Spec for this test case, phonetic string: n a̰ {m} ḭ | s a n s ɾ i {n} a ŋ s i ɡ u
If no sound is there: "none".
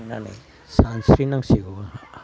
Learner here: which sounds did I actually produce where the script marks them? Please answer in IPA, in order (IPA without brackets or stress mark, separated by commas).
n, n